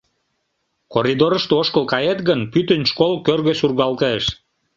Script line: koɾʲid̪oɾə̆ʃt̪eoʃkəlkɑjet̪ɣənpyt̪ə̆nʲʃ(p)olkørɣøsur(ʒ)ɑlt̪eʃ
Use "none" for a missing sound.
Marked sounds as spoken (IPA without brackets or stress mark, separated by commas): k, ɣ